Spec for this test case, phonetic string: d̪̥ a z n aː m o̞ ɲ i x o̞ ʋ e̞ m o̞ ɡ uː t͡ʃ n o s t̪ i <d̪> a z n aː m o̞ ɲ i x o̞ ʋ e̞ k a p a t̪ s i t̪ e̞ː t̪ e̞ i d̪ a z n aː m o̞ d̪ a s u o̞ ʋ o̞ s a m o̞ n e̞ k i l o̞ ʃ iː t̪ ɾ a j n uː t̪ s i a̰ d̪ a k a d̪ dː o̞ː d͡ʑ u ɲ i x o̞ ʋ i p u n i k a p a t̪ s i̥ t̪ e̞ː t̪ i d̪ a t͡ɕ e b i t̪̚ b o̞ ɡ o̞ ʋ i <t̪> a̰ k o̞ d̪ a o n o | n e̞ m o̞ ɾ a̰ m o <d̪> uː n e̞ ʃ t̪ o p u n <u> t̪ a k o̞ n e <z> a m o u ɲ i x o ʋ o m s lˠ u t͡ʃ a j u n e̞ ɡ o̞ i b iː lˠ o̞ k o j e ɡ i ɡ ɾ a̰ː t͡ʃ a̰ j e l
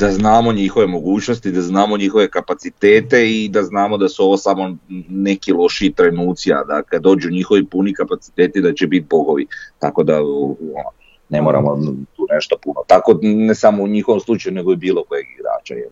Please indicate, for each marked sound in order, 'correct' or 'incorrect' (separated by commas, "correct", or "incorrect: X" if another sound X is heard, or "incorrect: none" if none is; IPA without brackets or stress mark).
correct, correct, incorrect: t̪, incorrect: o, incorrect: s